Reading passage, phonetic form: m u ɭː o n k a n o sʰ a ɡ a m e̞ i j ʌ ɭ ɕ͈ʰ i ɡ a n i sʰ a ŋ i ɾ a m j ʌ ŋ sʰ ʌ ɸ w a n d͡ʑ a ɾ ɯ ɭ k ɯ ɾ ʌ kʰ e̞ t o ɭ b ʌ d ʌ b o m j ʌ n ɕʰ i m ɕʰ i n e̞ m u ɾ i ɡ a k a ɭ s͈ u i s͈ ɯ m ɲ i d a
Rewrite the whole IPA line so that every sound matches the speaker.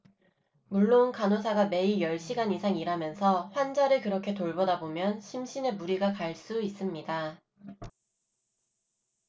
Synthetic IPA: m u ɭː o n k a n o sʰ a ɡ a m e̞ i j ʌ ɭ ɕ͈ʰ i ɡ a n i sʰ a ŋ i ɾ a m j ʌ n sʰ ʌ ɸ w a n d͡ʑ a ɾ ɯ ɭ k ɯ ɾ ʌ kʰ e̞ t o ɭ b ʌ d a b o m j ʌ n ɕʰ i m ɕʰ i n e̞ m u ɾ i ɡ a k a ɭ s͈ u i s͈ ɯ m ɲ i d a